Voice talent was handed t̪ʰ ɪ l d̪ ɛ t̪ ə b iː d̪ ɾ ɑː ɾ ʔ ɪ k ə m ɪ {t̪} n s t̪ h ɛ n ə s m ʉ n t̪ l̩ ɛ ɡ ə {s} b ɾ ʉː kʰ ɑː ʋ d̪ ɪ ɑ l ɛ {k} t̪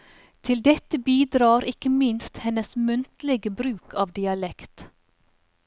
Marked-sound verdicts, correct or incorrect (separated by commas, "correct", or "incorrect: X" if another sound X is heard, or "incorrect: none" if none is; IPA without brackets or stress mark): incorrect: none, incorrect: none, correct